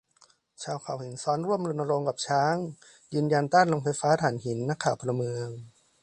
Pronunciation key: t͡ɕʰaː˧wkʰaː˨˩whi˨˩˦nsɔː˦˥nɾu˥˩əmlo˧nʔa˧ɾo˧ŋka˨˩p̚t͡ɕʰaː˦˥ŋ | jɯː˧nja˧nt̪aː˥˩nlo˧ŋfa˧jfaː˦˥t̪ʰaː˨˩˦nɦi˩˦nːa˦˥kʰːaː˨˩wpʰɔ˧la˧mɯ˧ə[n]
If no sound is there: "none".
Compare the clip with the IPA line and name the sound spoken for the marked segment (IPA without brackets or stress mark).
ŋ